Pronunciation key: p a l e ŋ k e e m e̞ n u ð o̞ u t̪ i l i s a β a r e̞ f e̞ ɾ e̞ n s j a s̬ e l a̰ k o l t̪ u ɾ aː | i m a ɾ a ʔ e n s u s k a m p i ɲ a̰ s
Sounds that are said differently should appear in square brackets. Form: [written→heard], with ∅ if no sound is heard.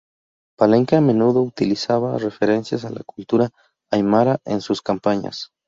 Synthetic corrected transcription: p a l e ŋ k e [e→a] m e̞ n u ð o̞ u t̪ i l i s a β a r e̞ f e̞ ɾ e̞ n s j a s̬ [e→a] l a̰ k [o→u] l t̪ u ɾ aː | [i→j] m a ɾ a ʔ e n s u s k a m p [i→a] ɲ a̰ s